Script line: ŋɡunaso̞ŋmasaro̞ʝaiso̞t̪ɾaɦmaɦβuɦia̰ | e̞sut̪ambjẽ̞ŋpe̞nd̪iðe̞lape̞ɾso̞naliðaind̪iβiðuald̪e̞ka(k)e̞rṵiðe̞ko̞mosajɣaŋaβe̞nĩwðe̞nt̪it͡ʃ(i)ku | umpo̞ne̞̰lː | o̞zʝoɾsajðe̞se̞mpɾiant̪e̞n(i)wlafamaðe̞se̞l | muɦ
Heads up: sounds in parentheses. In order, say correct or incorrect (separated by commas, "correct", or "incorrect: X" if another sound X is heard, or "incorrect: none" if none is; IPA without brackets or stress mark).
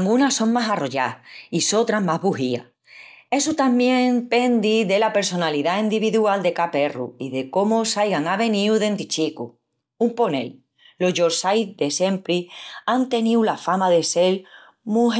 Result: incorrect: p, correct, correct